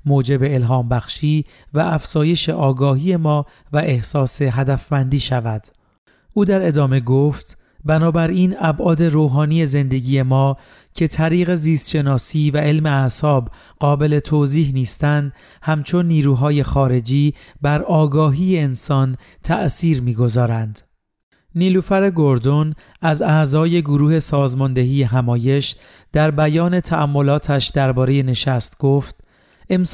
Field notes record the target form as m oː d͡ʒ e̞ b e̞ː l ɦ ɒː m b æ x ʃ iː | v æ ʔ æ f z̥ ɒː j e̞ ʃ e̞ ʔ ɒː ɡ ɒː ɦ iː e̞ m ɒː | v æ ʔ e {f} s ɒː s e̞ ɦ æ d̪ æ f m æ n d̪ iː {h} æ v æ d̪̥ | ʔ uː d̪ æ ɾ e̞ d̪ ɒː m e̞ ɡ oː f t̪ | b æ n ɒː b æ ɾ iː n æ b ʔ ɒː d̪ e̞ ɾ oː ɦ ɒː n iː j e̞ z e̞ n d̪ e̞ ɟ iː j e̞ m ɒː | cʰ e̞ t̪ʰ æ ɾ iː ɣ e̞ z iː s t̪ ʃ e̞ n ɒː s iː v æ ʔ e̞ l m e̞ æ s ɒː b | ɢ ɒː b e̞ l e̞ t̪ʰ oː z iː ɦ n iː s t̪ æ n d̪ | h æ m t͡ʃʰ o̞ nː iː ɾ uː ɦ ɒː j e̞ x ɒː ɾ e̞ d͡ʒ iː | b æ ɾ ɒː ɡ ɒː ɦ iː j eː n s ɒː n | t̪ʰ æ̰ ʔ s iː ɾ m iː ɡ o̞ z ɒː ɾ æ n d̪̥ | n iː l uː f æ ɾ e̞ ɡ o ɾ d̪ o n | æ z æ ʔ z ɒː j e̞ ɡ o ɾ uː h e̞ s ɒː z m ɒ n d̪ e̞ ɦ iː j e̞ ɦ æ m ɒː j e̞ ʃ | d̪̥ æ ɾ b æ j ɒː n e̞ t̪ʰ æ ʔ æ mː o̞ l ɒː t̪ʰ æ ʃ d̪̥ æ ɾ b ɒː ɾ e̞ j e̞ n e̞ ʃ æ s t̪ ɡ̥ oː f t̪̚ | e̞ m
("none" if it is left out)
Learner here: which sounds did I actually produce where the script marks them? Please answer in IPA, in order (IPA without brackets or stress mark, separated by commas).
h, ʃ